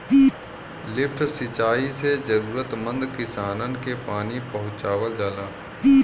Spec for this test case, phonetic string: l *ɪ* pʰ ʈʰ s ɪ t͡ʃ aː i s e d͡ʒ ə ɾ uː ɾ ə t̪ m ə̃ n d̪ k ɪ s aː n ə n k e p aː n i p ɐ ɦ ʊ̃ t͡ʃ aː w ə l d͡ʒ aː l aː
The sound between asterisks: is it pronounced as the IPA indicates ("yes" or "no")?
yes